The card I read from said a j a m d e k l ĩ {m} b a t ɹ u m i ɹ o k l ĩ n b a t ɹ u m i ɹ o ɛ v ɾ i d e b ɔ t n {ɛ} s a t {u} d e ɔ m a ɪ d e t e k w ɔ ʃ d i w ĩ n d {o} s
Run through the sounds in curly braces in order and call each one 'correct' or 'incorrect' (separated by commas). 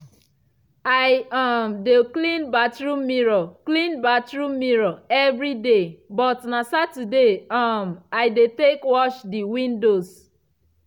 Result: incorrect, incorrect, correct, correct